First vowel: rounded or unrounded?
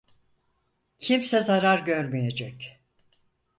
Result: unrounded